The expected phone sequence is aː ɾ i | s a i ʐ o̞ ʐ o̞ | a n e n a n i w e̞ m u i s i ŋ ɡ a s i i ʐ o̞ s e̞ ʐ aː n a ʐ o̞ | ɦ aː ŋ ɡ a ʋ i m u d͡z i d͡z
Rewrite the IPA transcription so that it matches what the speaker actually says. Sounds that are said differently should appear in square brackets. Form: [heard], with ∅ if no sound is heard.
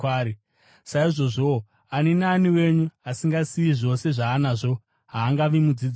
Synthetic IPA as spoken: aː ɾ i | s a i ʐ o̞ ʐ o̞ | a n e n a n i w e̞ [ɲ] u [a] s i ŋ ɡ a s i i ʐ o̞ s e̞ ʐ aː n a ʐ o̞ | ɦ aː ŋ ɡ a ʋ i m u d͡z i d͡z